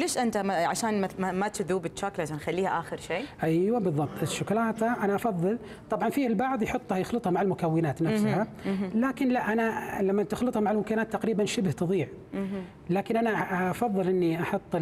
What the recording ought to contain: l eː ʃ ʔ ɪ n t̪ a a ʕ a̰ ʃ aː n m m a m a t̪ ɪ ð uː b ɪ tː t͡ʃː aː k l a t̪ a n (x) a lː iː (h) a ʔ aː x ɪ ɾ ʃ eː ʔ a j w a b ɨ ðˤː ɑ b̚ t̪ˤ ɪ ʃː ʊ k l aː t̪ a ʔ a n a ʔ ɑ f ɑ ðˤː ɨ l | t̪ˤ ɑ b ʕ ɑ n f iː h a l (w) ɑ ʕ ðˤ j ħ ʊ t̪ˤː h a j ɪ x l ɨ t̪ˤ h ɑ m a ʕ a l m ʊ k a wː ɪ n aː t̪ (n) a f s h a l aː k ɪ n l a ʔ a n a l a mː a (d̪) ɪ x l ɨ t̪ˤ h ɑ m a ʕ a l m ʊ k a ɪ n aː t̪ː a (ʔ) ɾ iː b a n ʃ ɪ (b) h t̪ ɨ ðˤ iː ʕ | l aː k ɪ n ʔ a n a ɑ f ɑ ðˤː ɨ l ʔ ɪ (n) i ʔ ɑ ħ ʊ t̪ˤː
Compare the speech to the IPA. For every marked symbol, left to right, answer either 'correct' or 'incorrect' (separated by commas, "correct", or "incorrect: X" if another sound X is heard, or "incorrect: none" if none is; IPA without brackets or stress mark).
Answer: correct, correct, incorrect: b, correct, incorrect: t̪, incorrect: q, correct, incorrect: nː